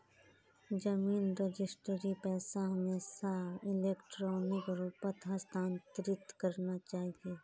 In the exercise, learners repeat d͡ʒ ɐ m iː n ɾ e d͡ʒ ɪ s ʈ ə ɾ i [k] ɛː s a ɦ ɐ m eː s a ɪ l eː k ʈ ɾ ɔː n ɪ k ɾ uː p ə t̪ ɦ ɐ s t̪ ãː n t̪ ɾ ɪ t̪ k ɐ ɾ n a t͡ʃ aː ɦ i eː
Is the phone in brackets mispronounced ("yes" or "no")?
yes